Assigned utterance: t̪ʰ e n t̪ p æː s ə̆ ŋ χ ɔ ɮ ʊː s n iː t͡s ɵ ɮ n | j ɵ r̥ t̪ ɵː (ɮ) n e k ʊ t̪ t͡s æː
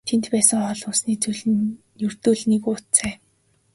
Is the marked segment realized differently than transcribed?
no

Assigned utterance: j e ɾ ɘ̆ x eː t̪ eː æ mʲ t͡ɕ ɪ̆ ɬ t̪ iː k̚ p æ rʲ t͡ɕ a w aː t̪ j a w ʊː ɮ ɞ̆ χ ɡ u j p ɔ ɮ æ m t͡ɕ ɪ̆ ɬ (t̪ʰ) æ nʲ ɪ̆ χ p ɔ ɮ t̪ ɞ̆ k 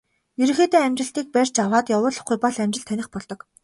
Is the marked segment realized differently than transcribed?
no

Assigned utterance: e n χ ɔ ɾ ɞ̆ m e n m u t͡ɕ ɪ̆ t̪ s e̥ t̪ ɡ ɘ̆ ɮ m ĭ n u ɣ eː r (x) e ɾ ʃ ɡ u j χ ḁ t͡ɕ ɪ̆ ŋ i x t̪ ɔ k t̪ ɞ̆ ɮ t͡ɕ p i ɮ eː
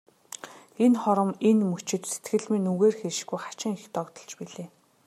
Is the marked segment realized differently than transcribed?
no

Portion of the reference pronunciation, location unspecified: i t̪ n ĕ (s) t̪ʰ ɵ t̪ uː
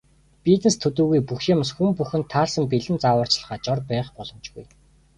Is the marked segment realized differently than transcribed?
no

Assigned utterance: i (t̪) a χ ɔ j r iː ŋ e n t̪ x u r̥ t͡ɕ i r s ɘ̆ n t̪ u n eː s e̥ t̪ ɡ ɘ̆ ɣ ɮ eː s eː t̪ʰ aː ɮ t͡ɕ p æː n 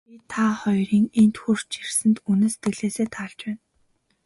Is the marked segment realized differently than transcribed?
yes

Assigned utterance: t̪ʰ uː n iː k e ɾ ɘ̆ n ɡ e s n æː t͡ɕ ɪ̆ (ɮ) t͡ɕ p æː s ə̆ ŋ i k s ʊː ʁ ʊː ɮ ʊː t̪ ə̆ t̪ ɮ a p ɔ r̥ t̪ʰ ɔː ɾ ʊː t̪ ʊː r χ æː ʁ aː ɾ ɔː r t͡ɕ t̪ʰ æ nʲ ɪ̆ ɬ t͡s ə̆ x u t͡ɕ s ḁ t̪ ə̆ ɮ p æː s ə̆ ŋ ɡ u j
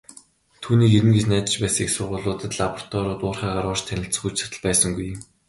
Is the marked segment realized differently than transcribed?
yes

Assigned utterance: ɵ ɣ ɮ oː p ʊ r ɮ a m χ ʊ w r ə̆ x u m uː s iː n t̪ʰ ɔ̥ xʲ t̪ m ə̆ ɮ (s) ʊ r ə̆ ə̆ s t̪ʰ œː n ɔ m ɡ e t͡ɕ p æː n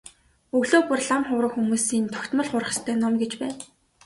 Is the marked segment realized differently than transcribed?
yes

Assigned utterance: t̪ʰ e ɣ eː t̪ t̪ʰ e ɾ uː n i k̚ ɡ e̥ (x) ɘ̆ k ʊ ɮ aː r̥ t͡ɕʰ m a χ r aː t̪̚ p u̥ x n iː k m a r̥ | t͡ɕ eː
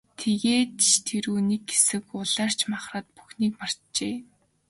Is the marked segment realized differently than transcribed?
yes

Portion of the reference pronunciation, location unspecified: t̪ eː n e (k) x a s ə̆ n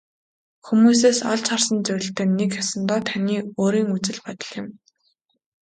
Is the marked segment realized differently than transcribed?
no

